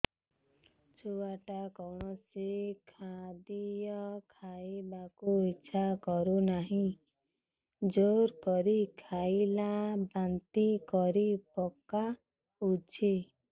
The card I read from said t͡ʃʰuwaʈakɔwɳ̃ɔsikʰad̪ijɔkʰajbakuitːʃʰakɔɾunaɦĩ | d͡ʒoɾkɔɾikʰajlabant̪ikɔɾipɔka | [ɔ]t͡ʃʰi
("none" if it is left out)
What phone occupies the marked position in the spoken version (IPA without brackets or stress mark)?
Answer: u